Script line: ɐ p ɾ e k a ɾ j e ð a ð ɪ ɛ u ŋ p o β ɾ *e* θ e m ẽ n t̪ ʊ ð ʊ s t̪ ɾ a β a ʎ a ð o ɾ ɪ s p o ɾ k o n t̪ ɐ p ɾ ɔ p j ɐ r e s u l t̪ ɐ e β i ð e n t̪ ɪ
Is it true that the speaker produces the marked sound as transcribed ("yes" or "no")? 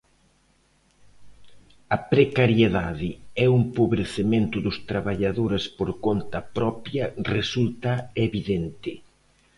yes